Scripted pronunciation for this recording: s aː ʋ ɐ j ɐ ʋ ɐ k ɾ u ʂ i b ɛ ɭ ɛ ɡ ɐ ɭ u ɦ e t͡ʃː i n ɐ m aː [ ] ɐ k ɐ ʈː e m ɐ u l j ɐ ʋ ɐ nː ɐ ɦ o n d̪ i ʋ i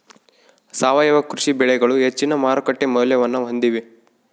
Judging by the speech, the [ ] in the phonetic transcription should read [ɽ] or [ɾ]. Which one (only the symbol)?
ɾ